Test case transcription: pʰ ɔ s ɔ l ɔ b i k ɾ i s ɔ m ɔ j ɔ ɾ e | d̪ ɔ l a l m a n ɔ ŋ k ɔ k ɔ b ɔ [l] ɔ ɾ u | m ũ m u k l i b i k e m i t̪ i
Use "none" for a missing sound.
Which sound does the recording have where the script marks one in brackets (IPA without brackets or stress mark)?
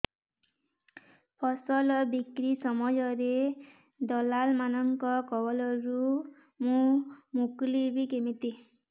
l